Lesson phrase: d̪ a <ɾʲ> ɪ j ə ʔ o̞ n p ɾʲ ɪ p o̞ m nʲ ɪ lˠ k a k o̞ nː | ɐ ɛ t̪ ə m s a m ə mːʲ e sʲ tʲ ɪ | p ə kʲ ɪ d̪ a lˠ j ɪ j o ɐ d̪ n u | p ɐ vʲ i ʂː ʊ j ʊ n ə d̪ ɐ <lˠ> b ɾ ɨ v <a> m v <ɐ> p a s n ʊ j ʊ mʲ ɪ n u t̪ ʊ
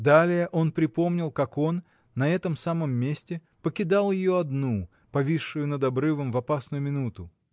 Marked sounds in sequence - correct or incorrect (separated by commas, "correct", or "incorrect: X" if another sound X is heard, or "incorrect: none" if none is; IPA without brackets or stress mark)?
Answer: incorrect: lʲ, incorrect: none, incorrect: ə, correct